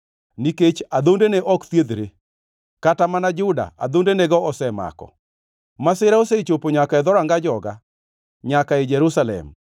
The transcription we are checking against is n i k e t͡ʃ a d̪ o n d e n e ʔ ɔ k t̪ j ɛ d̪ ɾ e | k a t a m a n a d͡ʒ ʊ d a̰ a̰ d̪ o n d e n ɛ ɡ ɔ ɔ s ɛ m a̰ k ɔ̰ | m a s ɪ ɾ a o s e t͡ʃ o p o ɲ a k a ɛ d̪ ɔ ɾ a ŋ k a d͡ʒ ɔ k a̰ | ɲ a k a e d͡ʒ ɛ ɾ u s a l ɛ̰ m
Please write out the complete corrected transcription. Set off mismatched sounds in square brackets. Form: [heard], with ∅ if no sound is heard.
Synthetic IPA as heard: n i k e t͡ʃ a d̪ o n d e n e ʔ ɔ k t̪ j [e] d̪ ɾ e | k a t a m a n a d͡ʒ ʊ d a̰ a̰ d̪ o n d e n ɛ ɡ ɔ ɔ s ɛ m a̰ k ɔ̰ | m a s ɪ ɾ a o s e t͡ʃ o p o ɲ a k a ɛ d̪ ɔ ɾ a ŋ [ɡ] a d͡ʒ ɔ [ɡ] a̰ | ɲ a k a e d͡ʒ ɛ ɾ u s a l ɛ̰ m

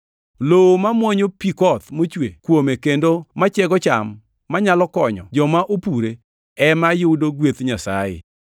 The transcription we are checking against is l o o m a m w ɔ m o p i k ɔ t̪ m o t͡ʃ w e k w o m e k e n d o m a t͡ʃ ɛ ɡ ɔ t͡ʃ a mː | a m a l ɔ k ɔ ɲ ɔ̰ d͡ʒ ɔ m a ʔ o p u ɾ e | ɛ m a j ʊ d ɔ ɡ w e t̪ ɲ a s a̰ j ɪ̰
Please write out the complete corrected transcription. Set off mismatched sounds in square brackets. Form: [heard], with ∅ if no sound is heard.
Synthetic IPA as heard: l o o m a m w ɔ [ɲ] o p i k ɔ t̪ m o t͡ʃ w e k w o m e k e n d o m a t͡ʃ ɛ ɡ ɔ t͡ʃ a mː | a [ɲ] a l ɔ k ɔ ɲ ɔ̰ d͡ʒ ɔ m a ʔ o p u ɾ e | ɛ m a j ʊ d [o] ɡ w e t̪ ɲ a s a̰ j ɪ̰

